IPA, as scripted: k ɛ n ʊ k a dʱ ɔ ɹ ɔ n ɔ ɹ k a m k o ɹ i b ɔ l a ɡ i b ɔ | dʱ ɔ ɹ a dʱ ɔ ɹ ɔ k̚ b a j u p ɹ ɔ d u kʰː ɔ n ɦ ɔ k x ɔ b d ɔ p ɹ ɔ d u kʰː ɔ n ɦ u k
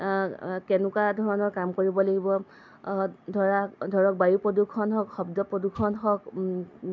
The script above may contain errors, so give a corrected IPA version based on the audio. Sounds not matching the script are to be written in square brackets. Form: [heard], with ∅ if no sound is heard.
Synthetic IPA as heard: k ɛ n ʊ k a dʱ ɔ ɹ ɔ n ɔ ɹ k a m k o ɹ i b ɔ l a ɡ i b ɔ | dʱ ɔ ɹ a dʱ ɔ ɹ ɔ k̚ b a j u p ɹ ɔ d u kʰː ɔ n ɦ ɔ k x ɔ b d ɔ p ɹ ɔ d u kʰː ɔ n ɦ [ɔ] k